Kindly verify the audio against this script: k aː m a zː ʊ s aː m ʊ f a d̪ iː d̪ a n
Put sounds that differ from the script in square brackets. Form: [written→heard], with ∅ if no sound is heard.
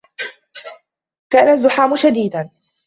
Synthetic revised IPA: k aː [m→n] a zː ʊ [s→ħ] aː m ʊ [f→ʃ] a d̪ iː d̪ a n

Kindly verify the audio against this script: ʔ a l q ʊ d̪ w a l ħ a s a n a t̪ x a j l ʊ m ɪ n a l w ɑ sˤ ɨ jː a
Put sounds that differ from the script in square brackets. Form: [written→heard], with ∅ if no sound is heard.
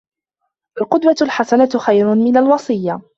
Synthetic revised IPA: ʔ a l q ʊ d̪ w a l ħ a s a n a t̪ x a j [l→ɾ] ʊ m ɪ n a l w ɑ sˤ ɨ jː a

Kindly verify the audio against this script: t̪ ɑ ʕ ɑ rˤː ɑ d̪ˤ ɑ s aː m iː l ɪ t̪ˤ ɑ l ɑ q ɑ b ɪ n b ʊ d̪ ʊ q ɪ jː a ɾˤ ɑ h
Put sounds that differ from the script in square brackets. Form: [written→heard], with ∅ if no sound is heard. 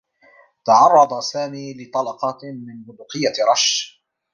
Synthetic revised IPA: t̪ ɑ ʕ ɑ rˤː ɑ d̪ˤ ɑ s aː m iː l ɪ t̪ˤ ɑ l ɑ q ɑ [b→m] ɪ n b ʊ d̪ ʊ q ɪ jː a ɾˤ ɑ [h→ʃ]

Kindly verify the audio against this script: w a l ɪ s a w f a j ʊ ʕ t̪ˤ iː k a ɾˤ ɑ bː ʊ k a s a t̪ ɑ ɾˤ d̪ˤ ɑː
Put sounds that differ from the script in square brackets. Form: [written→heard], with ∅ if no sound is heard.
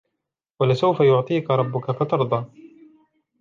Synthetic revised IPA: w a l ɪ s a w f a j ʊ ʕ t̪ˤ iː k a ɾˤ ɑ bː ʊ k a [s→f] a t̪ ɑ ɾˤ d̪ˤ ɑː

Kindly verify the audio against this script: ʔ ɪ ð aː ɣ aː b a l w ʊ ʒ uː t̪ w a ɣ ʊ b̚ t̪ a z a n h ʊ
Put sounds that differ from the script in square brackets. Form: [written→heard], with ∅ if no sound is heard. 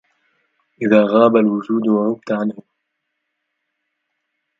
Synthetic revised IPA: ʔ ɪ ð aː ɣ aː b a l w ʊ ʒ uː [t̪→d̪] w a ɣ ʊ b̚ t̪ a [z→ʕ] a n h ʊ

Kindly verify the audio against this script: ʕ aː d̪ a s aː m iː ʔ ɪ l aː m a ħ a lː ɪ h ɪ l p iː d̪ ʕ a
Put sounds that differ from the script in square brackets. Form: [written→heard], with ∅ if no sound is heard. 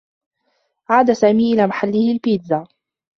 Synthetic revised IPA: ʕ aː d̪ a s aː m iː ʔ ɪ l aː m a ħ a lː ɪ h ɪ l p iː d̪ [ʕ→z] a

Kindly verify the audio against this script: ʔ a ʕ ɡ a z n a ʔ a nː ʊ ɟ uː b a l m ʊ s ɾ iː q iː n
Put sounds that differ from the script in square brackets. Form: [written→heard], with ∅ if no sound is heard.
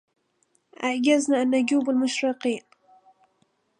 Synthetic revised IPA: ʔ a ʕ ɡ a z n a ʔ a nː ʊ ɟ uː b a l m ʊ [s→ʃ] ɾ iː q iː n

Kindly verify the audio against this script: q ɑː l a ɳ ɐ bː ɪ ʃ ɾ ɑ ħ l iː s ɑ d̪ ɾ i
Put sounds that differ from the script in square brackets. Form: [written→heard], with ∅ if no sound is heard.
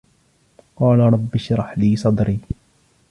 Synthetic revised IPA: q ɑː l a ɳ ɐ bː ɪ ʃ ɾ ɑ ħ l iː s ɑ d̪ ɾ i

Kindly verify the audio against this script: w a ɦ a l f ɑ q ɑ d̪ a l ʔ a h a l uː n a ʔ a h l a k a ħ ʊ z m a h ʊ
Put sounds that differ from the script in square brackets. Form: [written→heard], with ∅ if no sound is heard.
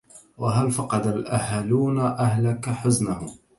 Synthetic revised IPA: w a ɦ a l f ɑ q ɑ d̪ a l ʔ a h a l uː n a ʔ a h l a k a ħ ʊ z [m→n] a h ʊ

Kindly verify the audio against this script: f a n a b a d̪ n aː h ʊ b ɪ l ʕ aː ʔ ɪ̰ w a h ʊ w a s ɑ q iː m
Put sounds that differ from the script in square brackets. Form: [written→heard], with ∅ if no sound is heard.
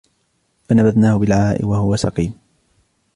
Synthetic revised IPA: f a n a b a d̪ n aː h ʊ b ɪ l ʕ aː ʔ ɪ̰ w a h ʊ w a s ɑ q iː m

